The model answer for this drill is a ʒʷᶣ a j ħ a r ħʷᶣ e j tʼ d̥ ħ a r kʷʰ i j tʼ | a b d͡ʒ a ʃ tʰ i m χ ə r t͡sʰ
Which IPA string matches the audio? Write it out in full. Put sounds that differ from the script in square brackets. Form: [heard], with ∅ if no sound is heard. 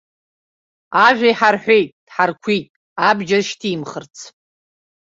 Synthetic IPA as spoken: a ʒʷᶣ a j ħ a r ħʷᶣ e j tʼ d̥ ħ a r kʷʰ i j tʼ | a b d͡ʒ a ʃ tʰ i m χ ə r t͡sʰ